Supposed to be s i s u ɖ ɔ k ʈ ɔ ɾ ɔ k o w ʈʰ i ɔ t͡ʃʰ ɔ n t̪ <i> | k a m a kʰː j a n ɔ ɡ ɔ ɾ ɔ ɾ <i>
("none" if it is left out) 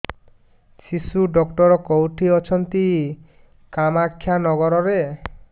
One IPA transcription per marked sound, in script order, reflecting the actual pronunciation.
i, e

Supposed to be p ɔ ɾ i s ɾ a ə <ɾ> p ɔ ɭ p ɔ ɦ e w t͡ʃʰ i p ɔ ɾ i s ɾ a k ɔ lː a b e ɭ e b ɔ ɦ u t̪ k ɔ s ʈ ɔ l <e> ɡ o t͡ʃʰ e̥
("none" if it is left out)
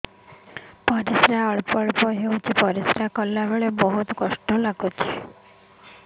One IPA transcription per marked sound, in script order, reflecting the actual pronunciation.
ɭ, a

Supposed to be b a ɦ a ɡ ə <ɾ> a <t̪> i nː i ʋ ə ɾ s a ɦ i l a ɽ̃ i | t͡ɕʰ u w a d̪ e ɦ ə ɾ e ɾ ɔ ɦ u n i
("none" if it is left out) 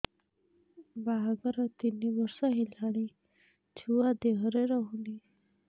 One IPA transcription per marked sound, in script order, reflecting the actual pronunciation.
ɾ, t̪

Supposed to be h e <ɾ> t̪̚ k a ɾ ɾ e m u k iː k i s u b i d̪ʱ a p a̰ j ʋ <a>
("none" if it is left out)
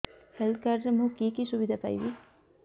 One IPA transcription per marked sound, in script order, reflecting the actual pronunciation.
l, i

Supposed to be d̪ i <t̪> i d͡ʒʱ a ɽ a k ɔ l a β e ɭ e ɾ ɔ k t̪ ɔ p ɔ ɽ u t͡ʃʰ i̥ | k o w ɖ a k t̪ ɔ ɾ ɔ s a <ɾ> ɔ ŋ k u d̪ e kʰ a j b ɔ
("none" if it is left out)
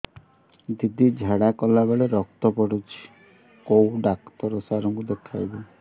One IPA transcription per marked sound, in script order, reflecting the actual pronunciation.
d̪, ɾ

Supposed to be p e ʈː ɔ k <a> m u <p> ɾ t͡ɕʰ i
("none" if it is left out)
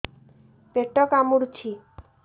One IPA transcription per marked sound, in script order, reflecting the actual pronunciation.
a, none

